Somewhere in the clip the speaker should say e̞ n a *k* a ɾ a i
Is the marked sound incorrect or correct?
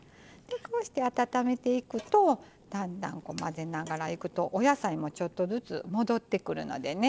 incorrect